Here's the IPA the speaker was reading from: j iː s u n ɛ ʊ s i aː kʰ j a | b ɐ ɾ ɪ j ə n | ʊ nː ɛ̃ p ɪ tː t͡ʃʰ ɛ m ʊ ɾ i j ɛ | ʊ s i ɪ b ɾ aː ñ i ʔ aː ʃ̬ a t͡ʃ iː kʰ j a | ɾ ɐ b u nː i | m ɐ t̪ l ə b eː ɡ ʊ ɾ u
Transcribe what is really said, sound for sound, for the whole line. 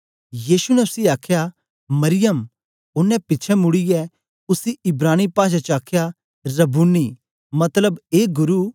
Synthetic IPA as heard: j iː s u n ɛ ʊ s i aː kʰ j a | m ɐ ɾ ɪ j ə m | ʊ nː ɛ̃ p ɪ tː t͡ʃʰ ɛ m ʊ ɽ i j ɛ | ʊ s i ɪ b ɾ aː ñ i p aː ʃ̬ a t͡ʃ aː kʰ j a | ɾ ɐ b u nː i | m ɐ t̪ l ə b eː ɡ ʊ ɾ u